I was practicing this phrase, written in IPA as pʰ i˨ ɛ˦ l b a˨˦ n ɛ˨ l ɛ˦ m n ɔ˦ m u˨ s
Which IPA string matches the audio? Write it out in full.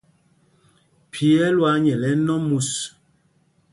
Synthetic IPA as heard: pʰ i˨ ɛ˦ l w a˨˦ ɲ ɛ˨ l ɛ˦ n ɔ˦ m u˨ s